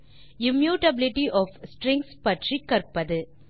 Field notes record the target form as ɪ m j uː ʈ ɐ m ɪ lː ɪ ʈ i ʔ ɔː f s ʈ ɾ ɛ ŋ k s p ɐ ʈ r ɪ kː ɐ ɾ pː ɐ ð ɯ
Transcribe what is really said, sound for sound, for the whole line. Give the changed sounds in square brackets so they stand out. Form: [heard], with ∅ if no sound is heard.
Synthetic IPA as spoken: ɪ m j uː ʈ ɐ [b] ɪ [l] ɪ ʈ i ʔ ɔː f s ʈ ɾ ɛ ŋ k s p ɐ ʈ r [i] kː ɐ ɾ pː ɐ ð ɯ